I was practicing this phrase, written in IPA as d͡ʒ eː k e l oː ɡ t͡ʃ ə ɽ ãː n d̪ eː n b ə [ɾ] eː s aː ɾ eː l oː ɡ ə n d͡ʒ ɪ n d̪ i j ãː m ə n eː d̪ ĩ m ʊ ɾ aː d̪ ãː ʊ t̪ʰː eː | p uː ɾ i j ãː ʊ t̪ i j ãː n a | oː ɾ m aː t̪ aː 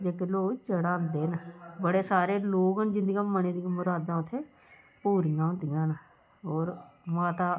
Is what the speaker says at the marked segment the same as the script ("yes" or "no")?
no